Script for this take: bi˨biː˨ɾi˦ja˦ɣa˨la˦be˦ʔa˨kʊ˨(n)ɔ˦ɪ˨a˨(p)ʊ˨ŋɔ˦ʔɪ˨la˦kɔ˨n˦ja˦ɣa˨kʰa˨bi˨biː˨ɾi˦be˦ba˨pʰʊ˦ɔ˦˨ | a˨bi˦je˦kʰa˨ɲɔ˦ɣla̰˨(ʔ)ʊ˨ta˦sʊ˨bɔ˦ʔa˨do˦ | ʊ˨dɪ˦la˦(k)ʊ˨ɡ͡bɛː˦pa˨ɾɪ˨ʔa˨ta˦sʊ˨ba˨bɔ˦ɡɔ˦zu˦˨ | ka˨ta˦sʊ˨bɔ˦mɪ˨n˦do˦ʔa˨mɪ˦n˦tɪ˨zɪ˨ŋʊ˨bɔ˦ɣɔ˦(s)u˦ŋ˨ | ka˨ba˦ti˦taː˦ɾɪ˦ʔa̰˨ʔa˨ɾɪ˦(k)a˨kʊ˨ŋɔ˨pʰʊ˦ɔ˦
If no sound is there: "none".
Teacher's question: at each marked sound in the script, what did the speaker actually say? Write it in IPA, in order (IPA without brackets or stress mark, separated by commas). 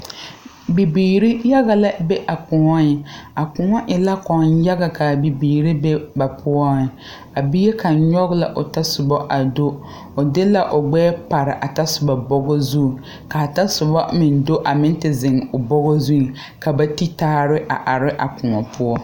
ŋ, k, ʔ, ʔ, z, ʔ